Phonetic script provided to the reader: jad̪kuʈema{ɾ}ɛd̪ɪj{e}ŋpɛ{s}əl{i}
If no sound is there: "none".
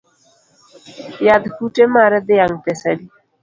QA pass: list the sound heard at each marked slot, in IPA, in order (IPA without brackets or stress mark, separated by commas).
ɾ, a, s, i